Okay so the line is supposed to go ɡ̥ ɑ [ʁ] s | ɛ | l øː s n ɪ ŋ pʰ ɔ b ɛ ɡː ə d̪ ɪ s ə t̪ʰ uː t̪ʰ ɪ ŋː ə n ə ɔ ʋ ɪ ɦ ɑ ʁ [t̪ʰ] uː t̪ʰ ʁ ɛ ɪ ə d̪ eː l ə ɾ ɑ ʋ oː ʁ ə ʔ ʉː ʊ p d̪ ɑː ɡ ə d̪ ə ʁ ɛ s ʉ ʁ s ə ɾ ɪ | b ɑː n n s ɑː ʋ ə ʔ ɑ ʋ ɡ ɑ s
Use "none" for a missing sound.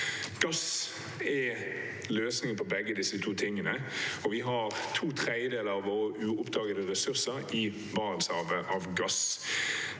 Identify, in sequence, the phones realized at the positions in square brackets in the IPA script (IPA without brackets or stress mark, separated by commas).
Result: none, t̪ʰ